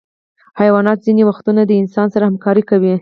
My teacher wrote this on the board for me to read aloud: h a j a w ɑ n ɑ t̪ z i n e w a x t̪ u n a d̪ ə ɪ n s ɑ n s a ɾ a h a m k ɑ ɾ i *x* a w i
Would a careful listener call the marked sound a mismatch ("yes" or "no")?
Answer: yes